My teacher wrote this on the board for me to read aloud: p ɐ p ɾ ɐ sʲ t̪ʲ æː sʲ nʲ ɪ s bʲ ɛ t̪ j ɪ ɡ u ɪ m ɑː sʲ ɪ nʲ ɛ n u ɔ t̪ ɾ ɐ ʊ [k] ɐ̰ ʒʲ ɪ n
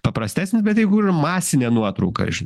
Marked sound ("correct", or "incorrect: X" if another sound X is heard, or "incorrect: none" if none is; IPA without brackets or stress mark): correct